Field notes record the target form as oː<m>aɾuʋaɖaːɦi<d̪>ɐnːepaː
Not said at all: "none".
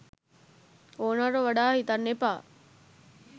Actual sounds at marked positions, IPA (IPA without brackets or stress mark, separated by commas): n, t̪